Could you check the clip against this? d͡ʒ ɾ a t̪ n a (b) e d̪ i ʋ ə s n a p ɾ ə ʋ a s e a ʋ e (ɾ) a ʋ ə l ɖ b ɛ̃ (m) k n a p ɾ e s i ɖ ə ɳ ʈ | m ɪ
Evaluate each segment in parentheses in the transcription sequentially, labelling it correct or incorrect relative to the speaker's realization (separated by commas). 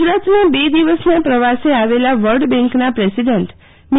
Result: correct, incorrect, incorrect